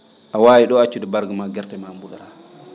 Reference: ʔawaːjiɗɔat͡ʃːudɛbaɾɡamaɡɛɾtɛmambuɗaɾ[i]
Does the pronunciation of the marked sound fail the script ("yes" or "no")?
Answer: yes